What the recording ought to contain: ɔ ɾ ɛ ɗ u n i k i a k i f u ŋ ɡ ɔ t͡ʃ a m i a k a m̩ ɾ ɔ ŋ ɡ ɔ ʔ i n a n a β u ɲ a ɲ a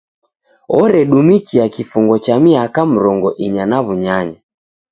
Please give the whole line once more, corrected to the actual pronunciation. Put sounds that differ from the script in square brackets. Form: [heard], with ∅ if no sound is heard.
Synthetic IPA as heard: ɔ ɾ ɛ ɗ u [m] i k i a k i f u ŋ ɡ ɔ t͡ʃ a m i a k a m̩ ɾ ɔ ŋ ɡ ɔ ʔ i [ɲ] a n a β u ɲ a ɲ a